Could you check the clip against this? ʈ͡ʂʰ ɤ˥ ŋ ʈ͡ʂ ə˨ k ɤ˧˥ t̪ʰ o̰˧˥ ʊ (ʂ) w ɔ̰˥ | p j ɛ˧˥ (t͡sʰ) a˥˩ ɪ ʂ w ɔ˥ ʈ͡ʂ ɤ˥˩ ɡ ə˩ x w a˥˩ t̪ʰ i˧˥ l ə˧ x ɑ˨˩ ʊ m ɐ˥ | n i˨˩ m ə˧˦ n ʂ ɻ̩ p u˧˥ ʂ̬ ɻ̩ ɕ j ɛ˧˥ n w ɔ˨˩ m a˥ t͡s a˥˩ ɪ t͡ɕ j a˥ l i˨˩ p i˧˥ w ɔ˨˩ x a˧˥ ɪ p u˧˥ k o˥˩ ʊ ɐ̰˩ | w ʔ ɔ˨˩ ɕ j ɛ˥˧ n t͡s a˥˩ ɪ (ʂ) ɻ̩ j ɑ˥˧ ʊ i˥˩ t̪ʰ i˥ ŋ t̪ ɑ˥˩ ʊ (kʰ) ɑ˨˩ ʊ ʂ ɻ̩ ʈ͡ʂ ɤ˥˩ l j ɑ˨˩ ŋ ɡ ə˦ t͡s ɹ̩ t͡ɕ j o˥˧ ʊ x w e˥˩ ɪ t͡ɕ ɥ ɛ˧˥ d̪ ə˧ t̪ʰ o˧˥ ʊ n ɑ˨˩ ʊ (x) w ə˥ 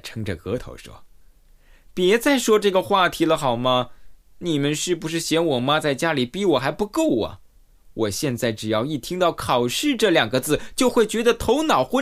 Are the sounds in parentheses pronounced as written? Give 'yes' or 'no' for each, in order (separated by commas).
yes, no, no, yes, yes